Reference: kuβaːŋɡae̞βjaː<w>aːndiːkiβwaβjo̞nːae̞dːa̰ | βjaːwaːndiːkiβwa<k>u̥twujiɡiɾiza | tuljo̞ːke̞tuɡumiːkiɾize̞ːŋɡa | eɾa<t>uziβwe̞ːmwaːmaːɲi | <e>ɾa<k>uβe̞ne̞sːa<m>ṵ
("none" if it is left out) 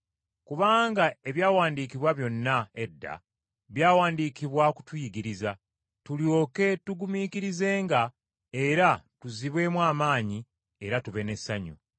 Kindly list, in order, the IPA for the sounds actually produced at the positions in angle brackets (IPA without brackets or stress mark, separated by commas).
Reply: w, k, t, e, t, ɲ